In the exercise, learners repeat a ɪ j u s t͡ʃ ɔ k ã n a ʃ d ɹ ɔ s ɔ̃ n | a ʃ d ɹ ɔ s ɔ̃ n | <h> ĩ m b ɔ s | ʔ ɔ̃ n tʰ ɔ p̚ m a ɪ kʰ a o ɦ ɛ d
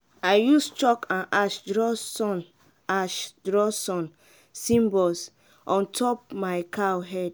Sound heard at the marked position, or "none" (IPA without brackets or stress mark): s